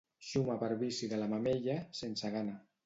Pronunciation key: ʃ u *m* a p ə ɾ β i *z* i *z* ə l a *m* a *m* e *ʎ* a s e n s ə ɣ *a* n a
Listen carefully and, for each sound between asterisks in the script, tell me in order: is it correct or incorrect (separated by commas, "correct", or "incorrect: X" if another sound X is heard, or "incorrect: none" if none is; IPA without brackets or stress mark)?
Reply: correct, incorrect: s, incorrect: ð, correct, correct, correct, correct